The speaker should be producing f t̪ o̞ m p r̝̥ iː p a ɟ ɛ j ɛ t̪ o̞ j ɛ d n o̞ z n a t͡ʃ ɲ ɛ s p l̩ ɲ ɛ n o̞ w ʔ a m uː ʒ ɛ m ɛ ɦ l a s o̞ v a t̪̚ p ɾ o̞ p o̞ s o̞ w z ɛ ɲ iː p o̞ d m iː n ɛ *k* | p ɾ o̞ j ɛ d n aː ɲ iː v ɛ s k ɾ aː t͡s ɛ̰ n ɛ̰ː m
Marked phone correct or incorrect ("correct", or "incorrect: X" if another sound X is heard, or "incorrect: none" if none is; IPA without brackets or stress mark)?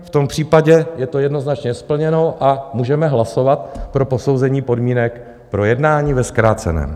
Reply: correct